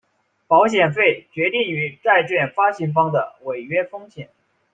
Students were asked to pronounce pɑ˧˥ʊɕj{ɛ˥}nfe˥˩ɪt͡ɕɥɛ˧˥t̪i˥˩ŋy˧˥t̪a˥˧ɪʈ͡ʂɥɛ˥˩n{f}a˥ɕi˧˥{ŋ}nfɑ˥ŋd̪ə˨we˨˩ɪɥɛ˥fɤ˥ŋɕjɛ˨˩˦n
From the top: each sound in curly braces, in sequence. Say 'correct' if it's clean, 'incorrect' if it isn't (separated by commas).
incorrect, correct, incorrect